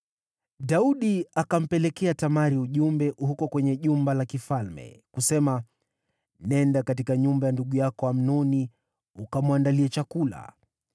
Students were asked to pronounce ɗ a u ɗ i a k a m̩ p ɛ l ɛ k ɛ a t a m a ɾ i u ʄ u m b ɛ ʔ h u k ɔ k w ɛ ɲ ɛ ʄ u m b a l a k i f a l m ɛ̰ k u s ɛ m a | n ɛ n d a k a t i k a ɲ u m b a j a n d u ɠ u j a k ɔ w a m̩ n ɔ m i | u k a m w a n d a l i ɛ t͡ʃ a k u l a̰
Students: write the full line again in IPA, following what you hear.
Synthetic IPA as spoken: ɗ a u ɗ i a k a m̩ p ɛ l ɛ k ɛ a t a m a ɾ i u ʄ u m b ɛ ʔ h u k ɔ k w ɛ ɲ ɛ ʄ u m b a l a k i f a l m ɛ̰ k u s ɛ m a | n ɛ n d a k a t i k a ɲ u m b a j a n d u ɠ u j a k ɔ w a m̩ n ɔ n i | u k a m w a n d a l i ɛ t͡ʃ a k u l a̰

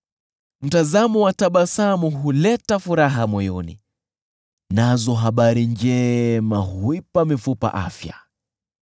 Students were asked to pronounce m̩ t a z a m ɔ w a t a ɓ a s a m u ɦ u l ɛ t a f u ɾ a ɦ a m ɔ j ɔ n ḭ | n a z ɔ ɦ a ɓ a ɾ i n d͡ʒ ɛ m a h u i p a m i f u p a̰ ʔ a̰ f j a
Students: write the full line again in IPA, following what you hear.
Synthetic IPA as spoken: m̩ t a z a m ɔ w a t a ɓ a s a m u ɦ u l ɛ t a f u ɾ a ɦ a m ɔ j ɔ n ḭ | n a z ɔ ɦ a ɓ a ɾ i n d͡ʒ ɛ m a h u i p a m i f u p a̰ ʔ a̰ f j a

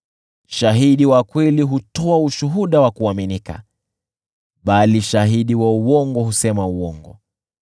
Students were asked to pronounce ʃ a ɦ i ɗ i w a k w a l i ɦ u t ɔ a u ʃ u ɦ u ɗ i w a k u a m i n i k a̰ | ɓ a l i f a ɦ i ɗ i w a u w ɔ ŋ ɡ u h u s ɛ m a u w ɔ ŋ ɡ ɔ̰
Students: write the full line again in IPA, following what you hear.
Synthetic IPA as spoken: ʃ a ɦ i ɗ i w a k w ɛ l i ɦ u t ɔ a u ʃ u ɦ u ɗ a w a k u a m i n i k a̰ | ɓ a l i ʃ a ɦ i ɗ i w a u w ɔ ŋ ɡ ɔ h u s ɛ m a u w ɔ ŋ ɡ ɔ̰

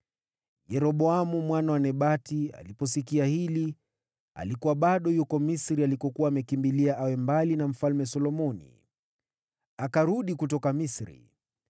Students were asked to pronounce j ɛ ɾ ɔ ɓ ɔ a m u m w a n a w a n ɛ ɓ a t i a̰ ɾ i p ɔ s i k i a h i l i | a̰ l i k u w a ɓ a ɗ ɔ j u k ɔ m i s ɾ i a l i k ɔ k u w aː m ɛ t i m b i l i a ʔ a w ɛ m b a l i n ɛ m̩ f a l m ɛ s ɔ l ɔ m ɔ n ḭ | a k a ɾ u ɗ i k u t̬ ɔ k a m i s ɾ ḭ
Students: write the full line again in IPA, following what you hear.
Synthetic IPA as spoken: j ɛ ɾ ɔ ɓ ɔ a m u m w a n a w a n ɛ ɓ a t i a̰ l i p ɔ s i k i a h i l i | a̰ l i k u w a ɓ a ɗ ɔ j u k ɔ m i s ɾ i a l i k ɔ k u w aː m ɛ k i m b i l i a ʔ a w ɛ m b a l i n a m̩ f a l m ɛ s ɔ l ɔ m ɔ n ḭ | a k a ɾ u ɗ i k u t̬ ɔ k a m i s ɾ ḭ

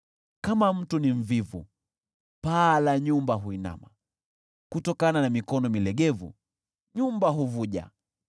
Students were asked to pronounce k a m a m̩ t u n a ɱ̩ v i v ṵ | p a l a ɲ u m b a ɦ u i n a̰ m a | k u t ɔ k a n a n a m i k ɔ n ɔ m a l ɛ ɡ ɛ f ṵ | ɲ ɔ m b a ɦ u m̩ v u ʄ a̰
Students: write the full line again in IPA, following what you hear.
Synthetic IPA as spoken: k a m a m̩ t u n i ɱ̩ v i v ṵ | p a l a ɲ u m b a ɦ u i n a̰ m a | k u t ɔ k a n a n a m i k ɔ n ɔ m i l ɛ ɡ ɛ v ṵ | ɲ u m b a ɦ u v u ʄ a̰

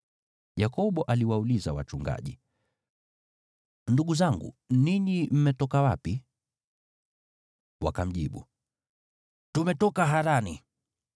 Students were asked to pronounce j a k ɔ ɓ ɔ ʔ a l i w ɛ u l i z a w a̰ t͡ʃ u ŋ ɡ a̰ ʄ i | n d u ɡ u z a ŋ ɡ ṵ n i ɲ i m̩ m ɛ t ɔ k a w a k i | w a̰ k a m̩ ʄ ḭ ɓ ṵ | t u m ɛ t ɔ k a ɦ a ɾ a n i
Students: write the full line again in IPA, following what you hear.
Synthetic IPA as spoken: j a k ɔ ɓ ɔ ʔ a l i w a u l i z a w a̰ t͡ʃ u ŋ ɡ a̰ ʄ i | n d u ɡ u z a ŋ ɡ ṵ n i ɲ i m̩ m ɛ t ɔ k a w a p i | w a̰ k a m̩ ʄ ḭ ɓ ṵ | t u m ɛ t ɔ k a ɦ a ɾ a n i

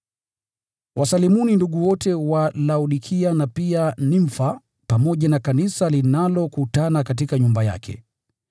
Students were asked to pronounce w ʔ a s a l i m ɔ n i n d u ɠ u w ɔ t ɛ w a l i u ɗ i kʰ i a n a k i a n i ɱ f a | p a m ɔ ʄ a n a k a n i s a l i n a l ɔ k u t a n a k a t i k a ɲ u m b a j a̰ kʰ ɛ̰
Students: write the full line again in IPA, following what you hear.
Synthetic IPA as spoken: w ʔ a s a l i m u n i n d u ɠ u w ɔ t ɛ w a l a u ɗ i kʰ i a n a p i a n i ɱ f a | p a m ɔ ʄ a n a k a n i s a l i n a l ɔ k u t a n a k a t i k a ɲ u m b a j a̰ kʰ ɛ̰

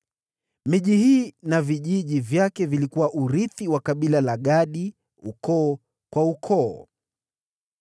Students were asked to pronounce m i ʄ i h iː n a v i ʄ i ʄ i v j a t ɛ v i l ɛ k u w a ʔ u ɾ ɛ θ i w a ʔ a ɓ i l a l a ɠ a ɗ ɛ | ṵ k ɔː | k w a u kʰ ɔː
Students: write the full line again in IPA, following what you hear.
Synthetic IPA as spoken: m i ʄ i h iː n a v i ʄ i ʄ i v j a k ɛ v i l i k u w a ʔ u ɾ i θ i w a k a ɓ i l a l a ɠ a ɗ i | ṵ k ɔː | k w a u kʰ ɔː

